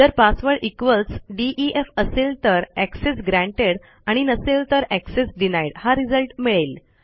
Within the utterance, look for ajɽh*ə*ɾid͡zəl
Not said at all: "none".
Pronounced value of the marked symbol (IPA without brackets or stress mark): a